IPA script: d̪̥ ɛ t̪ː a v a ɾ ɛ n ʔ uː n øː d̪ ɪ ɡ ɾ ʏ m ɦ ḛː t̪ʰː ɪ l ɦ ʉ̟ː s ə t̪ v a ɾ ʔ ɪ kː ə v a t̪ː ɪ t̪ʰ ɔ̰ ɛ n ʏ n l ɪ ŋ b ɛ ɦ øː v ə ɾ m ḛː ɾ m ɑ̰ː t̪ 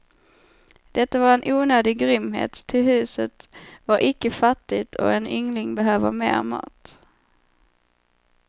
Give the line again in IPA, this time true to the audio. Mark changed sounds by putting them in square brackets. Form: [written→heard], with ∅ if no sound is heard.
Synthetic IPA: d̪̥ ɛ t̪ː a v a ɾ ɛ n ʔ uː n øː d̪ ɪ ɡ ɾ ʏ m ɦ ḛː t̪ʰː ɪ l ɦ ʉ̟ː s ə t̪ v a ɾ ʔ ɪ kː ə [v→f] a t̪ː ɪ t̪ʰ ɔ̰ ɛ n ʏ [n→ŋ] l ɪ ŋ b ɛ ɦ øː v ə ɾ m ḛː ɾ m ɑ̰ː t̪